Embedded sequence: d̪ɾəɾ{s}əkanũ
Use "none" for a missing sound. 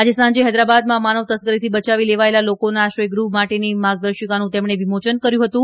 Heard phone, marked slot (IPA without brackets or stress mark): ʃ